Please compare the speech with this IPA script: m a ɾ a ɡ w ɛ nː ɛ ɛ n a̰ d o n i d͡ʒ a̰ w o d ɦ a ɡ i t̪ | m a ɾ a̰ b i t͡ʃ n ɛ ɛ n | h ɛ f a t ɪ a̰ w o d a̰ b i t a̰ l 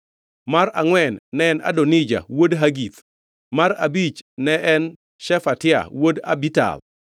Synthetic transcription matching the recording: m a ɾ a ŋ w ɛ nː ɛ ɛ n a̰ d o n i d͡ʒ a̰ w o d ɦ a ɡ i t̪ | m a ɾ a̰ b i t͡ʃ n ɛ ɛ n | ʃ ɛ f a t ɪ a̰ w o d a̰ b i t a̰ l